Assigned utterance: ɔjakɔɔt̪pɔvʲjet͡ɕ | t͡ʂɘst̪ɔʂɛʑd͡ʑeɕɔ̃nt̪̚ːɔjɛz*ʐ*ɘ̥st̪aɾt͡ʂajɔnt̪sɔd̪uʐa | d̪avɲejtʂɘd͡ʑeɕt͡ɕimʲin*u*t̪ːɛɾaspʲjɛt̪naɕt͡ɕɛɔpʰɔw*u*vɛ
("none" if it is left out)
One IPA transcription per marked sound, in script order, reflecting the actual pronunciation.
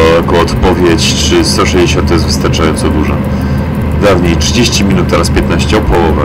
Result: v, u, ɔ

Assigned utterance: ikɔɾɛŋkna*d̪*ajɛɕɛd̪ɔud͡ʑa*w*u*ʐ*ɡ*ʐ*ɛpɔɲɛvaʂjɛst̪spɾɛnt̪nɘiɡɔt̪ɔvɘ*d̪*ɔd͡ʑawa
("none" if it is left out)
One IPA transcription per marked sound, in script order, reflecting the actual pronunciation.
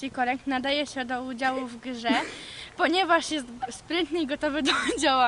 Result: d̪, w, v, ʐ, d̪

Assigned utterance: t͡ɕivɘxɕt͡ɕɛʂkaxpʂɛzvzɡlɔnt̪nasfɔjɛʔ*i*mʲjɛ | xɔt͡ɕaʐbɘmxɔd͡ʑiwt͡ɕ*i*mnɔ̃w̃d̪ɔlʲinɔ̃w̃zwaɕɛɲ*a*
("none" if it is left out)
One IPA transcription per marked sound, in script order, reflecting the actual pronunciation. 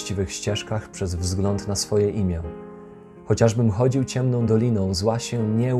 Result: i, ɛ, ɛ

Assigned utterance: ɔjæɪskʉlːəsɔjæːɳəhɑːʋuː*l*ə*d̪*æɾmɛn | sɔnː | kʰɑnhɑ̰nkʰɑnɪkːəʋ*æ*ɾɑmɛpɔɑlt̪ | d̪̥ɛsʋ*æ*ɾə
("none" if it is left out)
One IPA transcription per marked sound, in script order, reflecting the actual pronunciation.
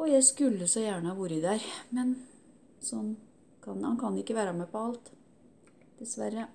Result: ɾ, d̪, æː, æ

